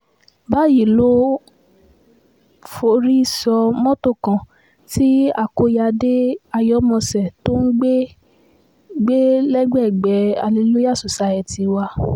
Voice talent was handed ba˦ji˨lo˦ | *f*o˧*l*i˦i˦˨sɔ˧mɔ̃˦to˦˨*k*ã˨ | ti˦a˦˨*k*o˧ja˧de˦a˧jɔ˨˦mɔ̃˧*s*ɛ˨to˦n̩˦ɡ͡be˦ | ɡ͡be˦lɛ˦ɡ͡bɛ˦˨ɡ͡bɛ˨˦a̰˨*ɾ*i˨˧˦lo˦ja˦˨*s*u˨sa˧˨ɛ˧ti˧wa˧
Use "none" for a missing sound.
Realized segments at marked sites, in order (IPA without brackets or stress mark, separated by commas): f, ɾ, k, k, s, l, s